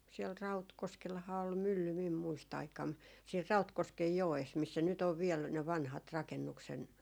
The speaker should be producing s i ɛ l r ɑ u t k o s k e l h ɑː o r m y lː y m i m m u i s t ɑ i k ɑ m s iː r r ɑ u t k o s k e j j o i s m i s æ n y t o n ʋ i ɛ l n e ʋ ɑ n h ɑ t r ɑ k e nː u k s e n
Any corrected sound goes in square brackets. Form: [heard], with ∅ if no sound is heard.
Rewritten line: s i ɛ l r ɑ u t k o s k e l h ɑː o [l] m y lː y m i m m u i s t ɑ i k ɑ m s iː r r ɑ u t k o s k e j j o [e] s m i [sː] æ n y t o n ʋ i ɛ l n e ʋ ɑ n h ɑ t r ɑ k e nː u k s e n